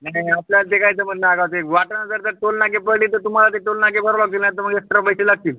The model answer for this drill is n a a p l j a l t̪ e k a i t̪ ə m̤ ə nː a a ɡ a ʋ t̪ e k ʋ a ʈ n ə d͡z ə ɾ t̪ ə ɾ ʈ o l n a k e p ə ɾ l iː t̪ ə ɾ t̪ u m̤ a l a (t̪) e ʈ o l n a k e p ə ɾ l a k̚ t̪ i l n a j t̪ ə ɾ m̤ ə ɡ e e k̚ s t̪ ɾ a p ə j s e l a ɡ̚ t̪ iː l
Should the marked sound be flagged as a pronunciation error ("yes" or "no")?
no